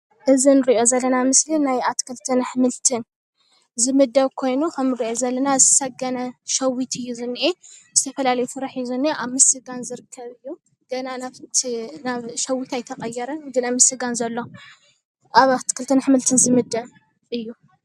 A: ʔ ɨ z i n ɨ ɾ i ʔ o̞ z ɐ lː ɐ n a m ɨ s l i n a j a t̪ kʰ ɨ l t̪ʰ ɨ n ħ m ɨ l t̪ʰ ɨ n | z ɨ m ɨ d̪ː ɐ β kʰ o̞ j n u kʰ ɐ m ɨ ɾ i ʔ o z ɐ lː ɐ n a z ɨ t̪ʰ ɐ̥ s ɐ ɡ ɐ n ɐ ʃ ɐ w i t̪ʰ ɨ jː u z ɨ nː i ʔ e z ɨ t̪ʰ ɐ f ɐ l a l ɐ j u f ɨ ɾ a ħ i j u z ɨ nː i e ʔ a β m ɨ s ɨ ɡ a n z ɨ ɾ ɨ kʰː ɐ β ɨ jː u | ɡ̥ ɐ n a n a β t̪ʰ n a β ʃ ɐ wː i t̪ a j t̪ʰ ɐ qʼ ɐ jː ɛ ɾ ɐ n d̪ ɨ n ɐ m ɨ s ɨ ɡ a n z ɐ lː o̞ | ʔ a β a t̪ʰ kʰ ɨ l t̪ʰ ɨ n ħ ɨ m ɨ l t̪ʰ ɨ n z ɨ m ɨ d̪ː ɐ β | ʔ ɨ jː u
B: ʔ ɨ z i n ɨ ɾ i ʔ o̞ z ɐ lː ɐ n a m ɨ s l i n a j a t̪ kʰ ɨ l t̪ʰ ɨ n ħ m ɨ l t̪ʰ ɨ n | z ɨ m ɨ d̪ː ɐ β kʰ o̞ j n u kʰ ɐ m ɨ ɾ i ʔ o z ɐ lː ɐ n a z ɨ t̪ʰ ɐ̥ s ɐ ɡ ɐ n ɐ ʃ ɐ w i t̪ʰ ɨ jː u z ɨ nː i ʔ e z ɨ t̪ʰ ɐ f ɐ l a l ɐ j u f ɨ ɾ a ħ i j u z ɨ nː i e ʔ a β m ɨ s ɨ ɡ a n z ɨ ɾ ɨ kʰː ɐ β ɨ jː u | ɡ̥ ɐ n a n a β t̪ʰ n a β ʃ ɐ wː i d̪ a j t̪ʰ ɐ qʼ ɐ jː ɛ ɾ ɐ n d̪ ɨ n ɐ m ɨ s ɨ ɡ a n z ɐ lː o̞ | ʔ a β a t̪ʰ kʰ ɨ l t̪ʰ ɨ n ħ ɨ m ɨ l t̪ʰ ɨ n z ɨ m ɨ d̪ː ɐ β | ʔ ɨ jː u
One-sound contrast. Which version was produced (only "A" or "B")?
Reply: A